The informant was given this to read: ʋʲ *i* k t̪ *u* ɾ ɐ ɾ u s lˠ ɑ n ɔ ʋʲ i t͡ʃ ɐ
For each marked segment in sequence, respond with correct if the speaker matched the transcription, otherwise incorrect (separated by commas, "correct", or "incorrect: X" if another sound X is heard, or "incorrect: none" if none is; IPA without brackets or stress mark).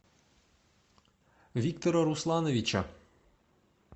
correct, incorrect: ɔ